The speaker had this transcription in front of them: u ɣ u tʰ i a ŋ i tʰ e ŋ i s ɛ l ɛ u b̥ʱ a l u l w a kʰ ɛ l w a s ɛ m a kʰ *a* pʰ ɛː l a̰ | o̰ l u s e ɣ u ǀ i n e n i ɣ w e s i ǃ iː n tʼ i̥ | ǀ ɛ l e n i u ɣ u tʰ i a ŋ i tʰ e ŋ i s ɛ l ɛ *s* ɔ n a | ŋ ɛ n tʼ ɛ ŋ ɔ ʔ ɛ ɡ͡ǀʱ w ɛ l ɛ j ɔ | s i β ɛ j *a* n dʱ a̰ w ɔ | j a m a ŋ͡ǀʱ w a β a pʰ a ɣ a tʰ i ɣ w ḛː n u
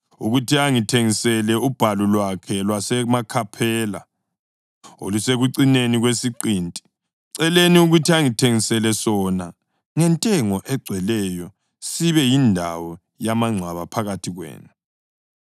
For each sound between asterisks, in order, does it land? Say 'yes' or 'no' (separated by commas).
yes, yes, no